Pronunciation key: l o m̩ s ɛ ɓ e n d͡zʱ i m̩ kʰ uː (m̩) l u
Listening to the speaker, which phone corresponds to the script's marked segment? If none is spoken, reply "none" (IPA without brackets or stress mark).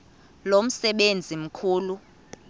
none